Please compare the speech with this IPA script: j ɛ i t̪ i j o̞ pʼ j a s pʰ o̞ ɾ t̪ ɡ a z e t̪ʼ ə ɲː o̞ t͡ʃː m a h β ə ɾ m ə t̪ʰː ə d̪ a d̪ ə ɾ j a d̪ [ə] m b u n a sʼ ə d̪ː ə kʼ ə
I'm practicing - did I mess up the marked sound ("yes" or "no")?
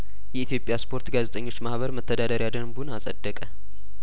no